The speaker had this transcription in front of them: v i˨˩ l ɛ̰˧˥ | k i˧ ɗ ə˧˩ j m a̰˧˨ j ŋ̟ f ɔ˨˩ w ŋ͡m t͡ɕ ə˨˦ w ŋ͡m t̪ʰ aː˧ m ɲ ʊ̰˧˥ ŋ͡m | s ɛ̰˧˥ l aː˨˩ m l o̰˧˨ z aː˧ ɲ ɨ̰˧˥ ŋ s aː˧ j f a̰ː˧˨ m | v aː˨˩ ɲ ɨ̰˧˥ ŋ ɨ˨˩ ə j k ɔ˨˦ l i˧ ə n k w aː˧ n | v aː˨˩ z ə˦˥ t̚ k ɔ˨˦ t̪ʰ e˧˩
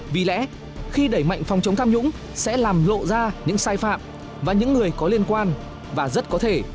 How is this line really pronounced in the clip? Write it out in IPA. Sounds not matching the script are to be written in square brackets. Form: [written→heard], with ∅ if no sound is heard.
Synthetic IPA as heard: v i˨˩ l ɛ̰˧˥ | [k→x] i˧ ɗ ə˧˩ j m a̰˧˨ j ŋ̟ f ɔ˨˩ w ŋ͡m t͡ɕ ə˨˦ w ŋ͡m t̪ʰ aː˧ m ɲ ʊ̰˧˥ ŋ͡m | s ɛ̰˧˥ l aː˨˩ m l o̰˧˨ z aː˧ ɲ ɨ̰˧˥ ŋ s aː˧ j f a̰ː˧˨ m | v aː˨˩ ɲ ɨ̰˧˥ [ŋ→ŋː] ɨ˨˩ ə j k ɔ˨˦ l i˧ ə n k w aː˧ n | v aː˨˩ z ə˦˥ t̚ k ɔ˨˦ t̪ʰ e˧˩